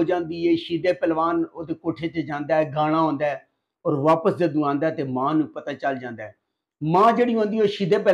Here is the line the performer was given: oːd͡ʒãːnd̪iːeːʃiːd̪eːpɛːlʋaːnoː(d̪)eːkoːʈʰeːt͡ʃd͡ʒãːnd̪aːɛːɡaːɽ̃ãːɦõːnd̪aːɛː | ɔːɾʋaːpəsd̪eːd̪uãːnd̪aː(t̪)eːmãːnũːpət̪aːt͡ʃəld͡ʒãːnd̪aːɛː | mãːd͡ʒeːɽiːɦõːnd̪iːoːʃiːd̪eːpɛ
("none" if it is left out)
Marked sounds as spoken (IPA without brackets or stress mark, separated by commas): d̪, t̪